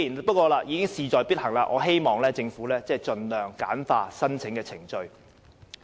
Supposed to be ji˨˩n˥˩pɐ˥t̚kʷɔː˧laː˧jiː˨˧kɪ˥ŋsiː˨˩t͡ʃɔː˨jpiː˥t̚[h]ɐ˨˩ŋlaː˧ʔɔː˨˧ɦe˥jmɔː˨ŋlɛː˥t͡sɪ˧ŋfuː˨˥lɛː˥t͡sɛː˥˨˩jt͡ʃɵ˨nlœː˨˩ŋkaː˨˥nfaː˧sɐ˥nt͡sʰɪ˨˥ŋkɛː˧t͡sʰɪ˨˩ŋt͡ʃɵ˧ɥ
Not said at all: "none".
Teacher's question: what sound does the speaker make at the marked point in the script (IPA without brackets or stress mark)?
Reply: h